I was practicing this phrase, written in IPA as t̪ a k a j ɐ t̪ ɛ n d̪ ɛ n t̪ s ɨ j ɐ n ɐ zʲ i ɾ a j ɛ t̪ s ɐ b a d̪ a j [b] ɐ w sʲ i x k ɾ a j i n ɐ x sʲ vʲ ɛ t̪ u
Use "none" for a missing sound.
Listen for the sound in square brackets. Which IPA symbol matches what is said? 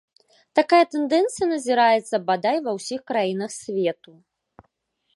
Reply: v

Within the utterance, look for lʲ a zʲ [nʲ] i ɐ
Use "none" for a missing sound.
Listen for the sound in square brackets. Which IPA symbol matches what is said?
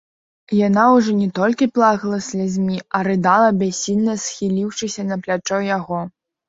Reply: mʲ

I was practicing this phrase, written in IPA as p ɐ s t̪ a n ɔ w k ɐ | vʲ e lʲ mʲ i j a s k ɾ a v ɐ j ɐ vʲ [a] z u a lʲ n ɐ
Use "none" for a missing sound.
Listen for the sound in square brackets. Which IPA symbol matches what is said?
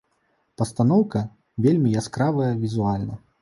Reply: i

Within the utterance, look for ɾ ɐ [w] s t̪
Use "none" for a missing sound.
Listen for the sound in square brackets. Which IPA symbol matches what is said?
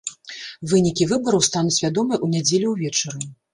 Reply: w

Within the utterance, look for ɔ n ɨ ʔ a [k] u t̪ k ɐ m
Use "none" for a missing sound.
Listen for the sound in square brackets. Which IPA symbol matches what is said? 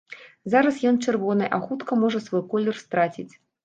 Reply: x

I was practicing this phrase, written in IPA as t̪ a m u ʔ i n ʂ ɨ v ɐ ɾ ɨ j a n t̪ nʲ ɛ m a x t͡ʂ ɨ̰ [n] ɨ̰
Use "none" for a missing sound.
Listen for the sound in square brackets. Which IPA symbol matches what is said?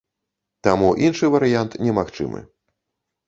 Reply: m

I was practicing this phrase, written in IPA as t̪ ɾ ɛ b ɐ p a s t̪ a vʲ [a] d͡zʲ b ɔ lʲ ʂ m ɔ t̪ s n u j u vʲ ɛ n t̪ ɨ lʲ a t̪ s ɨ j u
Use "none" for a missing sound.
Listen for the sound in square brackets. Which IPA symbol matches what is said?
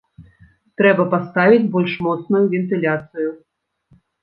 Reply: i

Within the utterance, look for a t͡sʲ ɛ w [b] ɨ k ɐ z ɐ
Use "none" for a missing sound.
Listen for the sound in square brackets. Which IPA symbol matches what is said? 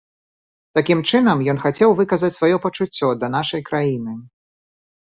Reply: v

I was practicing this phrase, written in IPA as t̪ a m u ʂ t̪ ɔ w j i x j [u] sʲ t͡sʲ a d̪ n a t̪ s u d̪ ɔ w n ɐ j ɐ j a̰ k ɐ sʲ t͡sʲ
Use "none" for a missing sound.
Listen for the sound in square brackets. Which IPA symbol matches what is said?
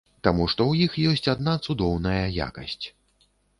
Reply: ɔ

